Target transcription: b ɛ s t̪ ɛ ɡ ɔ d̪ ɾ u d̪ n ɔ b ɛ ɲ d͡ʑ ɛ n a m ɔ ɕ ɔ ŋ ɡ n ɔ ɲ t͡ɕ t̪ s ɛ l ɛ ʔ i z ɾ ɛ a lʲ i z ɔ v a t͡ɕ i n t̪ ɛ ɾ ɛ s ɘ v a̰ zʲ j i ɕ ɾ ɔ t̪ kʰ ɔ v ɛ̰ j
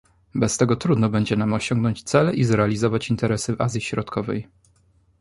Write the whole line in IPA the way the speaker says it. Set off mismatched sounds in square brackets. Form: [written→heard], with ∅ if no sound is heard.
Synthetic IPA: b ɛ s t̪ ɛ ɡ ɔ [d̪→t̪] ɾ u d̪ n ɔ b ɛ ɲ d͡ʑ ɛ n a m ɔ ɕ ɔ ŋ ɡ n ɔ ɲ t͡ɕ t̪ s ɛ l ɛ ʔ i z ɾ ɛ a lʲ i z ɔ v a t͡ɕ i n t̪ ɛ ɾ ɛ s ɘ v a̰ zʲ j i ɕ ɾ ɔ t̪ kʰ ɔ v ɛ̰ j